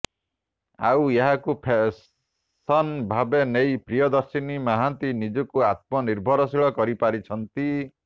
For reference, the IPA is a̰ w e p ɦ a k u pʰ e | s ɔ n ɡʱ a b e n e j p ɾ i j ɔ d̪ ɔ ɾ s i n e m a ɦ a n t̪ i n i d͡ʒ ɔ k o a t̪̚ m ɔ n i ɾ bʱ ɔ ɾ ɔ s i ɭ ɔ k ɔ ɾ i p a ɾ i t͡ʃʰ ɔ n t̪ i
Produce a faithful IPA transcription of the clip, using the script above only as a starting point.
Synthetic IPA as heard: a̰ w e ɦ a k u pʰ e | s ɔ n bʱ a b e n e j p ɾ i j ɔ d̪ ɔ ɾ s i n i m a ɦ a n t̪ i n i d͡ʒ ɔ k u a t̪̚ m ɔ n i ɾ bʱ ɔ ɾ ɔ s i ɭ ɔ k ɔ ɾ i p a ɾ i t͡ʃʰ ɔ n t̪ i